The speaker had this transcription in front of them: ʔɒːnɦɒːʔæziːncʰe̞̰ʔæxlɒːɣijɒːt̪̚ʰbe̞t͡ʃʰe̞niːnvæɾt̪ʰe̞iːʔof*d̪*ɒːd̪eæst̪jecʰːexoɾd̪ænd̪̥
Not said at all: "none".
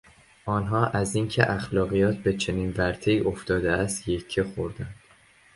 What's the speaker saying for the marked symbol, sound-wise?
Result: t̪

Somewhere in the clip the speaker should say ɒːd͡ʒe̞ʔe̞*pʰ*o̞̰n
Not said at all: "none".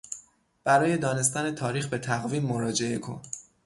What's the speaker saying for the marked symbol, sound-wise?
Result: kʰ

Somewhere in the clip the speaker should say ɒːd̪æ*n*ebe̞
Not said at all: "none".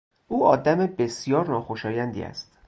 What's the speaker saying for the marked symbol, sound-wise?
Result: m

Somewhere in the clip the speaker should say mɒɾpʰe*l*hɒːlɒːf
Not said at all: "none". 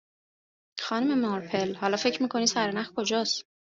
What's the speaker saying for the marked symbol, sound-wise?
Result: l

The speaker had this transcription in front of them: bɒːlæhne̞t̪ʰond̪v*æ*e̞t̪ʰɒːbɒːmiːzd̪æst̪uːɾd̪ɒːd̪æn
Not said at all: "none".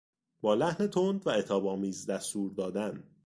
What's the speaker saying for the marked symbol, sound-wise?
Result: æ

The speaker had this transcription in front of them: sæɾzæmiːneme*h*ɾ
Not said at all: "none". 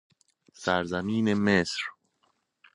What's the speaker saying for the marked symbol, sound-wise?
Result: s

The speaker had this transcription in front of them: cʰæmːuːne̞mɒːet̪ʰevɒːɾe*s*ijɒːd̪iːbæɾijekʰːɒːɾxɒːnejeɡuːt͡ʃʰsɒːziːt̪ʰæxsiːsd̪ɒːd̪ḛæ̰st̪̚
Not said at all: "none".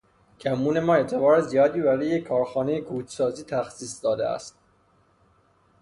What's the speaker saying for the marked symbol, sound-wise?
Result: z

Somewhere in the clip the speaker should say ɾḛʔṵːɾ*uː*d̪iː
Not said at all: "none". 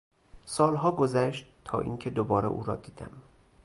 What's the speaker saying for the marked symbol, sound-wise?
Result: ɒː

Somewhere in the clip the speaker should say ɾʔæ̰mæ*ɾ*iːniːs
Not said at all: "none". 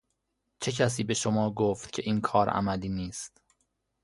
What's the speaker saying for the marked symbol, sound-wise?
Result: l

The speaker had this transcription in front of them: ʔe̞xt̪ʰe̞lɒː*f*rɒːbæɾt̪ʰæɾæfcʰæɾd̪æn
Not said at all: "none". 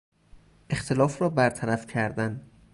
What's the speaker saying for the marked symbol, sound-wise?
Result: f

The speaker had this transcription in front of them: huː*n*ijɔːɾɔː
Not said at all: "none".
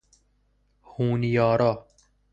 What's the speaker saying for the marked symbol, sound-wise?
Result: n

